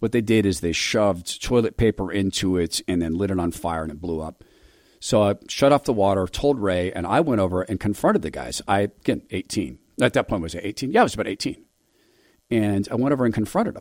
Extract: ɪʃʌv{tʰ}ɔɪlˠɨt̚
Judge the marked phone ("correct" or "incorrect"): correct